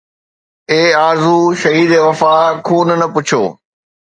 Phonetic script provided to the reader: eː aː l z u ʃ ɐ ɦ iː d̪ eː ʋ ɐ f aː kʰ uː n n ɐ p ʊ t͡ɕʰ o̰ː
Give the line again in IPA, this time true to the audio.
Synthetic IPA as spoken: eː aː ɾ z u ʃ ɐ ɦ iː d̪ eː ʋ ɐ f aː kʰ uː n n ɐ p ʊ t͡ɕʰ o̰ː